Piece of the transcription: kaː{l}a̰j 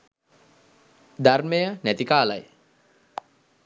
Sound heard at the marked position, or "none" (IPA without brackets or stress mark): l